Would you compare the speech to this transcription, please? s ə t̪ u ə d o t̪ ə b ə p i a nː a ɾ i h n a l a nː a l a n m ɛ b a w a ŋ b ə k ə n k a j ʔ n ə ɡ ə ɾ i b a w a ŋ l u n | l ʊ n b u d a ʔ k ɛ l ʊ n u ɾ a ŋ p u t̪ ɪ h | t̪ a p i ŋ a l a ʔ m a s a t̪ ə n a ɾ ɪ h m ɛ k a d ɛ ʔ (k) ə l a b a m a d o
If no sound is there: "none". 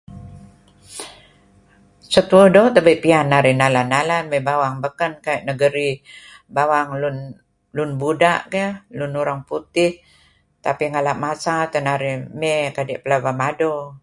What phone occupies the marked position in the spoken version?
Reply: p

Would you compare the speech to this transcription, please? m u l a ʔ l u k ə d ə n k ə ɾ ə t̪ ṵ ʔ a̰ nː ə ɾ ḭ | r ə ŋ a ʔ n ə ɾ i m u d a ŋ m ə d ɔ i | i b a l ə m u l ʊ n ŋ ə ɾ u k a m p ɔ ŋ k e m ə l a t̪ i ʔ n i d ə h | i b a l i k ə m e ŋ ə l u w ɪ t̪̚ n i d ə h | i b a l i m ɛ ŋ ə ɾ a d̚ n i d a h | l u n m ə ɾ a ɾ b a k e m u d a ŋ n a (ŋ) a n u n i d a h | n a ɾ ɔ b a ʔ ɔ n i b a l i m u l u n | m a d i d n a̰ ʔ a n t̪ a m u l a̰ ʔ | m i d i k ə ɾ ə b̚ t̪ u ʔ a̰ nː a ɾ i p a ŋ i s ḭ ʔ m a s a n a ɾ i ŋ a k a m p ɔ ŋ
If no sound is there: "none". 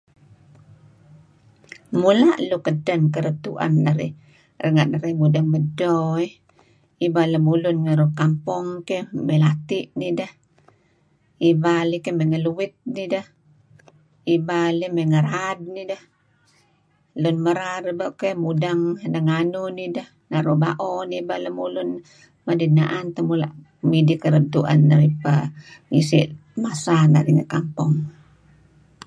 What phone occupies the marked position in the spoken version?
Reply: ŋ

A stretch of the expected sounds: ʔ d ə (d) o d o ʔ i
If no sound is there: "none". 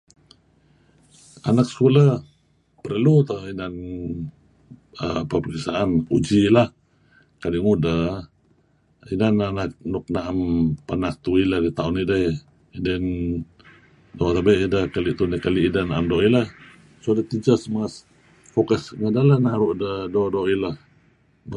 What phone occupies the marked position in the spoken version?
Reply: d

